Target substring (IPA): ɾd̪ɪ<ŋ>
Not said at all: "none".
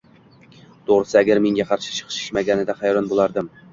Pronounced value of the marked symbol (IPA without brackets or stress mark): m